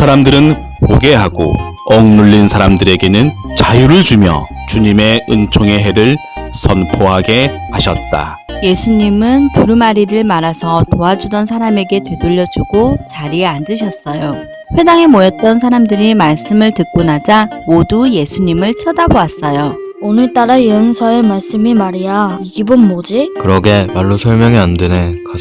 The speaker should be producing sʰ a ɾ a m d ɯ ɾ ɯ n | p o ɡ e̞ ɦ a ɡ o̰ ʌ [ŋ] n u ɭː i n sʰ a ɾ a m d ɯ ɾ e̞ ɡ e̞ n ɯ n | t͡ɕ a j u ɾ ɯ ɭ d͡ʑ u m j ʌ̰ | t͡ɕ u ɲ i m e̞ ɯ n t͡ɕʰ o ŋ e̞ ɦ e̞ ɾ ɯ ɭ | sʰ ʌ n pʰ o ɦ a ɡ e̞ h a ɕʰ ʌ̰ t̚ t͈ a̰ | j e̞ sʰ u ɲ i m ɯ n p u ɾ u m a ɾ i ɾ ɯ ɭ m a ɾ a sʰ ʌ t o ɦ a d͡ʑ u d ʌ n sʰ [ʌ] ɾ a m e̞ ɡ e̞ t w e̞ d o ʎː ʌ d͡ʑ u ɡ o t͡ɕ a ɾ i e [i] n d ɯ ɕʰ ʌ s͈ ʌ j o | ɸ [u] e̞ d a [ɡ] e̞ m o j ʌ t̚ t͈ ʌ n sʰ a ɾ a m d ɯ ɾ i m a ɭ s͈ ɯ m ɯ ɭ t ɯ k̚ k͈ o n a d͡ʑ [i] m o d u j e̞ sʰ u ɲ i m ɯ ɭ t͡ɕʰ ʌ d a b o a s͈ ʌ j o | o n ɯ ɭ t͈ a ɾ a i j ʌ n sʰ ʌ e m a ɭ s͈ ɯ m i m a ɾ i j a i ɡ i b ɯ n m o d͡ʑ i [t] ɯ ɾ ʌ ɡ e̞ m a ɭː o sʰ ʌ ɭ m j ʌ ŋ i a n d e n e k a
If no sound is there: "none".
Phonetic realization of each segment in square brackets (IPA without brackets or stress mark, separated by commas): ŋ, a, a, w, ŋ, a, k